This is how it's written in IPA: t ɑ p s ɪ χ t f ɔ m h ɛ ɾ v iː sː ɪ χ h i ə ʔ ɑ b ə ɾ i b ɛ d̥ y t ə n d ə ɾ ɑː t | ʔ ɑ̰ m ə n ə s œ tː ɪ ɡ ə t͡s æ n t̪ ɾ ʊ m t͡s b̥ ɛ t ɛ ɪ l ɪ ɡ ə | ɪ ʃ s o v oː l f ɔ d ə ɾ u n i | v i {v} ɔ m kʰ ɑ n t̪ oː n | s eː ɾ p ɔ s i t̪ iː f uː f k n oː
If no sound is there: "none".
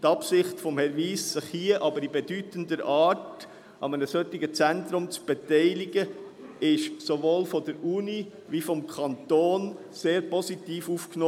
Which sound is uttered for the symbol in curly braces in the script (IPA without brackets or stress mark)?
f